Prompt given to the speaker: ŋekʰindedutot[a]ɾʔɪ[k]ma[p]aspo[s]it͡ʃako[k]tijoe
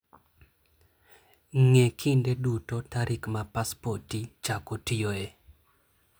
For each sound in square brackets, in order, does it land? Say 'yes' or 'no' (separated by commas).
yes, yes, yes, no, no